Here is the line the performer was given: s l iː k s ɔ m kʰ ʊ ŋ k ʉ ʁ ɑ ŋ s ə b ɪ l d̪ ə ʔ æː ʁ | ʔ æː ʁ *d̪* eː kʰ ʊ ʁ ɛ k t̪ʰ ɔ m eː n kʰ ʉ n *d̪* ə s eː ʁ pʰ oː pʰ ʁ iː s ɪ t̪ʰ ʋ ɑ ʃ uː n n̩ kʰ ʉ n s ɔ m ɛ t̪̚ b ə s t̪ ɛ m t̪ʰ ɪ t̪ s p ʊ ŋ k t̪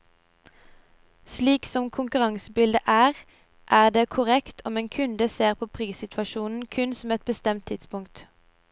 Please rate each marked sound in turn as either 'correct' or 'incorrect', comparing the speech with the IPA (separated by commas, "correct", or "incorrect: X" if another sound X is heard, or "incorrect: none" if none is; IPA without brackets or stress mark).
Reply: correct, correct